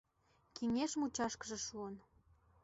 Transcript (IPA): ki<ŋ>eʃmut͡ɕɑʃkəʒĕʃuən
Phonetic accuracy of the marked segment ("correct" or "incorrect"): correct